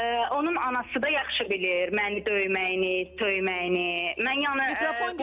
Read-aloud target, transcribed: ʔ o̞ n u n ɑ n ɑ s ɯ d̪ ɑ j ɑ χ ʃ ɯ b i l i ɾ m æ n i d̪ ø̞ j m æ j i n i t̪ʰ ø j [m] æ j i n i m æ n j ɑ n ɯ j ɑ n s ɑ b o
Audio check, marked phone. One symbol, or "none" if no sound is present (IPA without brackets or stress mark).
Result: m